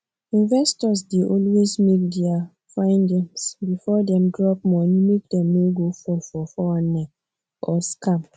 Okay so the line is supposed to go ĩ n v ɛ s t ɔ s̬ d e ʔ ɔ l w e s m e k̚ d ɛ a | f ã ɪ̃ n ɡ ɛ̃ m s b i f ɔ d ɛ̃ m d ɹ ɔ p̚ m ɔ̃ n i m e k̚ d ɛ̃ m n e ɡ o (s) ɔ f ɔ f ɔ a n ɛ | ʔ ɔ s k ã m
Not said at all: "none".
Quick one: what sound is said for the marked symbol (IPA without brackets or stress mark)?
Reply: f